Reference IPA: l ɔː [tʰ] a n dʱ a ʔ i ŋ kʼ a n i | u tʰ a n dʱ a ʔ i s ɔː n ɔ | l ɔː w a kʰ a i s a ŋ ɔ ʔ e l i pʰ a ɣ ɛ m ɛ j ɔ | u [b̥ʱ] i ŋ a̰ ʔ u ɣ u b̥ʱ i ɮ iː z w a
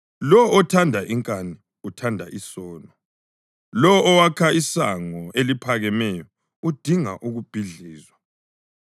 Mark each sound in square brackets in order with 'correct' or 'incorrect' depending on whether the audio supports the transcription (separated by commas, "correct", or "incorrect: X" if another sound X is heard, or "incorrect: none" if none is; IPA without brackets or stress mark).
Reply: correct, incorrect: d̥ʱ